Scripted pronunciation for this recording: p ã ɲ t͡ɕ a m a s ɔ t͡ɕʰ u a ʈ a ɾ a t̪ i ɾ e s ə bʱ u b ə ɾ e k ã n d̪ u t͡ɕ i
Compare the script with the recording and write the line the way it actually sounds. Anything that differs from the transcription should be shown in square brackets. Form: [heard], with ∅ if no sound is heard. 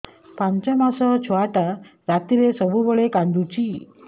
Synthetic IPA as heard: p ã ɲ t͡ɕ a m a s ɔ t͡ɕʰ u a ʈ a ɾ a t̪ i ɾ e s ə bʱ u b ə [ɭ] e k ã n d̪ u t͡ɕ i

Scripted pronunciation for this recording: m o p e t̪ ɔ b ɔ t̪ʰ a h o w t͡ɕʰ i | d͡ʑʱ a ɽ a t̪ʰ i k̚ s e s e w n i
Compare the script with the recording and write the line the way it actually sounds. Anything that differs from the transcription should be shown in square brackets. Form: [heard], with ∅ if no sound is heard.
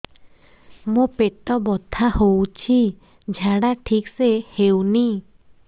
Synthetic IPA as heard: m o p e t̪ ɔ b ɔ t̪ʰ a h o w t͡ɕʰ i | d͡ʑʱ a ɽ a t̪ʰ i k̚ s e [h] e w n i

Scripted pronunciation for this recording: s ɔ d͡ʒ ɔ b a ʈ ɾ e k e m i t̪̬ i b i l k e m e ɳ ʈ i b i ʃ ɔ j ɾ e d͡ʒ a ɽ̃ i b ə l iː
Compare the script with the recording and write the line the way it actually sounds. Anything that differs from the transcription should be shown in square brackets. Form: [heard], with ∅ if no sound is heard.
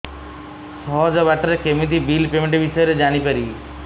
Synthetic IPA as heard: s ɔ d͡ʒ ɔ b a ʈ ɾ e k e m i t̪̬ i b i l [p] e m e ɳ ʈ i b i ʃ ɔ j ɾ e d͡ʒ a ɽ̃ i [p] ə [ɾ] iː

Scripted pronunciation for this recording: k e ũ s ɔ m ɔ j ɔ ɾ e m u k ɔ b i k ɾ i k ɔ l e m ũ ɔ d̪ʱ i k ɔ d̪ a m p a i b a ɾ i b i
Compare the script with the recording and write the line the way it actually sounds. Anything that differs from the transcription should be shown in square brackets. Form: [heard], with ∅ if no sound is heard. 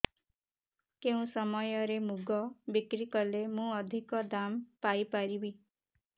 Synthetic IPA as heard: k e ũ s ɔ m ɔ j ɔ ɾ e m u [ɡ] ɔ b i k ɾ i k ɔ l e m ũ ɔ d̪ʱ i k ɔ d̪ a m p a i [p] a ɾ i b i

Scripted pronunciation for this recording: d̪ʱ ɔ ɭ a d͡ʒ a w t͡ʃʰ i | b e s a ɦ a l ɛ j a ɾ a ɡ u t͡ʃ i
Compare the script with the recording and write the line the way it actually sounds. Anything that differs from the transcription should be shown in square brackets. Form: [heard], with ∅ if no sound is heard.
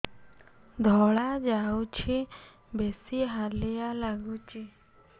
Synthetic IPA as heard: d̪ʱ ɔ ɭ a d͡ʒ a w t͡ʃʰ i | b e s [i] ɦ a l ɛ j a [l] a ɡ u t͡ʃ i

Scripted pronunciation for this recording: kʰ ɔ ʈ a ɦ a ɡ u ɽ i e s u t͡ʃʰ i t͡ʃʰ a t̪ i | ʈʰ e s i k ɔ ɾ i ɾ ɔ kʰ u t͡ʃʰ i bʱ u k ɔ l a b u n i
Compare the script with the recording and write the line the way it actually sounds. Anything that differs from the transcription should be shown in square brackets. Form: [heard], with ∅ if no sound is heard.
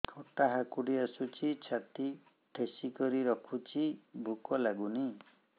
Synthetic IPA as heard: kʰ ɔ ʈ a ɦ a [k] u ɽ i [a] s u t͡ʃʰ i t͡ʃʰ a t̪ i | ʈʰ e s i k ɔ ɾ i ɾ ɔ kʰ u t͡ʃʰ i bʱ u k ɔ l a [ɡ] u n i

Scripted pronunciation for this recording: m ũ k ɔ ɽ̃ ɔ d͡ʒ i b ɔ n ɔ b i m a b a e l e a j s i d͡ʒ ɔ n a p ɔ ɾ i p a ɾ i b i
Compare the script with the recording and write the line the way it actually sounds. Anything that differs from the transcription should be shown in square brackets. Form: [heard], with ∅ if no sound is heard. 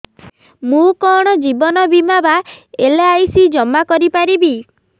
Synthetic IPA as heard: m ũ k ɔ ɽ̃ ɔ d͡ʒ i b ɔ n ɔ b i m a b a e l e a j s i d͡ʒ ɔ [m] a [k] ɔ ɾ i p a ɾ i b i

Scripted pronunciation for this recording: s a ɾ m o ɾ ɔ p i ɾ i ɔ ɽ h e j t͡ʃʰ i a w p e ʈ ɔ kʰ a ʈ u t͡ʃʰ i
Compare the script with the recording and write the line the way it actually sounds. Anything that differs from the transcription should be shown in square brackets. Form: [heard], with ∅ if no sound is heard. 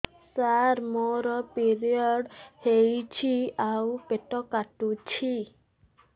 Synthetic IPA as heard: s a ɾ m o ɾ ɔ p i ɾ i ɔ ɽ h e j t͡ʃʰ i a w p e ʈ ɔ [k] a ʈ u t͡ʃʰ i

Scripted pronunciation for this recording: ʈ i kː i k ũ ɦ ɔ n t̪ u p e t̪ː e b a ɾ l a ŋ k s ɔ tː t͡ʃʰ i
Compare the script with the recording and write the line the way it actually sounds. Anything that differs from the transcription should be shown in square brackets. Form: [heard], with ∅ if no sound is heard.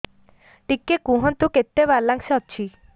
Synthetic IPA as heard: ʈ i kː [e] k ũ ɦ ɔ n t̪ u [k] e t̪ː e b a ɾ l a ŋ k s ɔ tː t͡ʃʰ i

